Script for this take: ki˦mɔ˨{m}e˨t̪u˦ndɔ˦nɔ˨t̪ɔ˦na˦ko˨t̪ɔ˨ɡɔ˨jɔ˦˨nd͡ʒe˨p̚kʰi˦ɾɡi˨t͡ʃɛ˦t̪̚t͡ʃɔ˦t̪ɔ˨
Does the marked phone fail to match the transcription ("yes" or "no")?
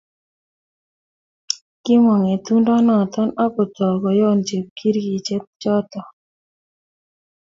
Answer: yes